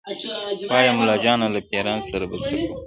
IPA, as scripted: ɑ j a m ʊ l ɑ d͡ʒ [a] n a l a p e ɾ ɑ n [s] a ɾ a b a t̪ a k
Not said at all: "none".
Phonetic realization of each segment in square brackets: ɑ, s

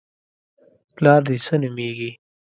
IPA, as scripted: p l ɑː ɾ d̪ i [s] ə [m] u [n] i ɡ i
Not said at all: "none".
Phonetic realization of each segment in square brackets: s, n, m

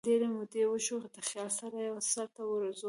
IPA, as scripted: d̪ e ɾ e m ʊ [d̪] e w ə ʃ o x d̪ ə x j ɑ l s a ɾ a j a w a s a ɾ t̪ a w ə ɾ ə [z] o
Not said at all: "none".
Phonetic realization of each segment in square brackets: d̪, z

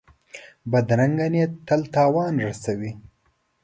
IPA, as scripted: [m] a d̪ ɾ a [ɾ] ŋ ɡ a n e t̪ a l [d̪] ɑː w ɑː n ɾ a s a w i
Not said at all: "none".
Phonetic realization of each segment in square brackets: b, none, t̪

